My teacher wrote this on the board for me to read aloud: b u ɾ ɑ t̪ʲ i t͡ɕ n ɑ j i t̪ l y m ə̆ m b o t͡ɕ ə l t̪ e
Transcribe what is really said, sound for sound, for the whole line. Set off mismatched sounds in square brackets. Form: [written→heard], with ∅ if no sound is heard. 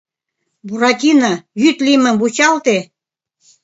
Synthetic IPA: b u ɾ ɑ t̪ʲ i [t͡ɕ→∅] n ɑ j [i→y] t̪ l [y→i] m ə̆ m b [o→u] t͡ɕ [ə→ɑ] l t̪ e